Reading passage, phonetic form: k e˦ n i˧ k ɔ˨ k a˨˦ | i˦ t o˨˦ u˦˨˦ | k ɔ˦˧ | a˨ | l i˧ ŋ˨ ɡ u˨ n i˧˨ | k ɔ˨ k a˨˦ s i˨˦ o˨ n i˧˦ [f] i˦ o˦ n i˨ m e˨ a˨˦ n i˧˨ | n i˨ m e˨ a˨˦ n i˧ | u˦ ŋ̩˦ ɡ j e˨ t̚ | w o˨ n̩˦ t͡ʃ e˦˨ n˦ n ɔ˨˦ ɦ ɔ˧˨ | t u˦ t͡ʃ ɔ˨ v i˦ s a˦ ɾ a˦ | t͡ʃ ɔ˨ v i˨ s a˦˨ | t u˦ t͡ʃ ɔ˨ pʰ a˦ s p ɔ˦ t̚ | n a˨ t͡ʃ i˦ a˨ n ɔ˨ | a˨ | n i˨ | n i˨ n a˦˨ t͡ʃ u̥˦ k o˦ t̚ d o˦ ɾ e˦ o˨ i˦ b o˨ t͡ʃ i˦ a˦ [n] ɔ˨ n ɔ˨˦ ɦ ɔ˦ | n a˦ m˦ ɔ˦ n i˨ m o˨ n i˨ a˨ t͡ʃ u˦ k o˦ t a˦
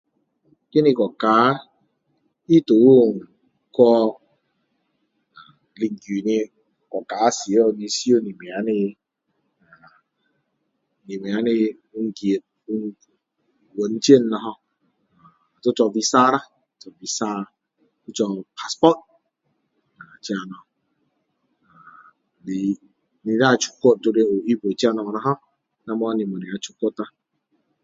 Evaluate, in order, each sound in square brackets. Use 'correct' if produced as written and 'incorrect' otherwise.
incorrect, correct

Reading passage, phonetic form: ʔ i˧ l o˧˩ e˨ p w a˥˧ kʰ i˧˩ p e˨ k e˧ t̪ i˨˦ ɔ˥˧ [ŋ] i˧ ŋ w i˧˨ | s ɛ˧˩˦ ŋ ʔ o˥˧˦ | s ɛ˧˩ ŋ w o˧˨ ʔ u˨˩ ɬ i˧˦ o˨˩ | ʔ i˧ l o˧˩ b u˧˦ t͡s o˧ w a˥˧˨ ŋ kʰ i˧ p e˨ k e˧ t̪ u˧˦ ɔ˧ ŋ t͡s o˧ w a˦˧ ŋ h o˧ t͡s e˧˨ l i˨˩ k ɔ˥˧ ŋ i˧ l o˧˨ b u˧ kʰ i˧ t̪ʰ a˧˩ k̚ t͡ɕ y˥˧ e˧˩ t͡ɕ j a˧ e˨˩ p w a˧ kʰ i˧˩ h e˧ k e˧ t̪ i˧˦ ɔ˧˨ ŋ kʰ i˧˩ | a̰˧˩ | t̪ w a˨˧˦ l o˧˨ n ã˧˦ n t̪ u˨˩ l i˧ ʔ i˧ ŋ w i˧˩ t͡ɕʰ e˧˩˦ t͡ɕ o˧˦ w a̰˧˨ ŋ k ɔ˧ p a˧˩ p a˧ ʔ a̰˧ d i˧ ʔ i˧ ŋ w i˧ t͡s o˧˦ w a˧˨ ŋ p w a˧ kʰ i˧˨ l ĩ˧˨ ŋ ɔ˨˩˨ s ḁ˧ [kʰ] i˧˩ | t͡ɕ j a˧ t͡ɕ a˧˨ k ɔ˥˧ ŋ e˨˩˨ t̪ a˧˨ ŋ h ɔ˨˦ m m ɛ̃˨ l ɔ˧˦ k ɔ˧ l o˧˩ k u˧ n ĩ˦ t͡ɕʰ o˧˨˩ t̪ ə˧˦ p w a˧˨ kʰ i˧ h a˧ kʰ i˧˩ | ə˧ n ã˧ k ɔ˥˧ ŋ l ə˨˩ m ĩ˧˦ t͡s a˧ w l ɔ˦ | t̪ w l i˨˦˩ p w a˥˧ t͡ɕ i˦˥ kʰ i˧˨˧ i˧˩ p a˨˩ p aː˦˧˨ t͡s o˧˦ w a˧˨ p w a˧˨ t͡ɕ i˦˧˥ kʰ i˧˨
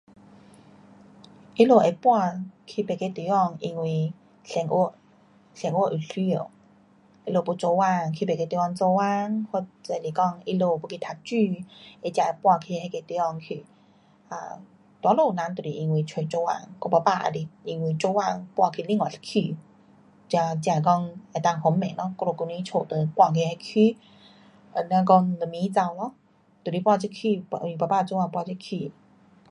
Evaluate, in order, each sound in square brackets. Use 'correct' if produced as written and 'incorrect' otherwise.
correct, correct

